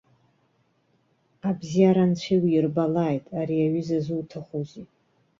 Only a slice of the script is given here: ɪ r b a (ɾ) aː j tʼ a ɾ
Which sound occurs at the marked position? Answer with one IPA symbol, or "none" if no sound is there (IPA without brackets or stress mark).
l